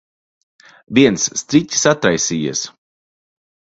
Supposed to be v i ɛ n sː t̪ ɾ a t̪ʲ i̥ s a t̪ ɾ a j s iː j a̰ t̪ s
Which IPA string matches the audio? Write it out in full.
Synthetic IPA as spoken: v i ɛ n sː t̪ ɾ i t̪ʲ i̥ s a t̪ ɾ a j s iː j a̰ s